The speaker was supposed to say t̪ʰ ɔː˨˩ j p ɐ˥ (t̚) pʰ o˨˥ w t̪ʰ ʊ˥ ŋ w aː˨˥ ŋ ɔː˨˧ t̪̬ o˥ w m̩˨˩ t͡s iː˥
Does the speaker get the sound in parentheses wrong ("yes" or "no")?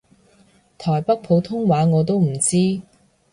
yes